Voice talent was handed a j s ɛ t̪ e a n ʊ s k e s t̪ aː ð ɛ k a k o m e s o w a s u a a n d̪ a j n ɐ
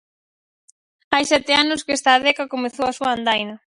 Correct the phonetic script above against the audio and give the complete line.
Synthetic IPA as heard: a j s ɛ t̪ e a n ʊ s k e s t̪ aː ð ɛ k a k o m e θ o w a s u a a n d̪ a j n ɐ